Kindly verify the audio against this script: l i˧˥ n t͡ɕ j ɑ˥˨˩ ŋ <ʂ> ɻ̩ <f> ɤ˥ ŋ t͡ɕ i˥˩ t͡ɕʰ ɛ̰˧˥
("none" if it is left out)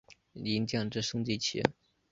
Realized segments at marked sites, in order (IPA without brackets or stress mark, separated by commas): ʈ͡ʂ, ʂ